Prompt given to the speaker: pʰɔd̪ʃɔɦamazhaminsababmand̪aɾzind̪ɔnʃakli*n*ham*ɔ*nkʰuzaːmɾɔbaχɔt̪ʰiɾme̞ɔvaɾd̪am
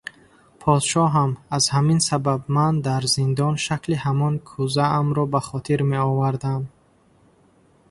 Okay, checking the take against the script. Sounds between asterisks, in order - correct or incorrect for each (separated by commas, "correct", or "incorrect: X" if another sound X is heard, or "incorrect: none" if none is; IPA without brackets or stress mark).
incorrect: none, correct